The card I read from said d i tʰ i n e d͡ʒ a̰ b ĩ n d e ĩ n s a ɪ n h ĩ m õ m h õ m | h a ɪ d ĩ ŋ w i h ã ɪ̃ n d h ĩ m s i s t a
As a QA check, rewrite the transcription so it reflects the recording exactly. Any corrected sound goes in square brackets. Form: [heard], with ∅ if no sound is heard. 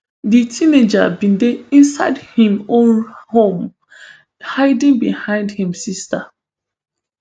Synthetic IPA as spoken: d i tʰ i n e d͡ʒ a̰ b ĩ n d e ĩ n s a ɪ [d] h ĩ m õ [n] h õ m | h a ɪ d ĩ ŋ [b] i h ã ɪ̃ n d h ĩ m s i s t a